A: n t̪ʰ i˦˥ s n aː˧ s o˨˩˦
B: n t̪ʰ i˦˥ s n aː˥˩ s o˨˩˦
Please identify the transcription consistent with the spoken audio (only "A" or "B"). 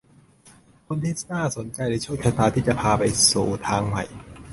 B